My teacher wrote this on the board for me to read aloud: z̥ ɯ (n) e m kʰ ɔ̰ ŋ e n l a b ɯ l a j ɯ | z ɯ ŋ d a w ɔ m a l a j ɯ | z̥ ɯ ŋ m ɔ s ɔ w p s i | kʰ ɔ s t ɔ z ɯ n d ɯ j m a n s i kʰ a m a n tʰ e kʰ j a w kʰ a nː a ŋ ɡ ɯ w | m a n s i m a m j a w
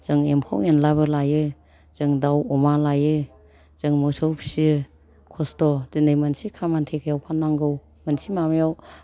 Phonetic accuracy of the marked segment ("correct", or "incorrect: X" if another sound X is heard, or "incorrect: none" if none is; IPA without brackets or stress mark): incorrect: ŋ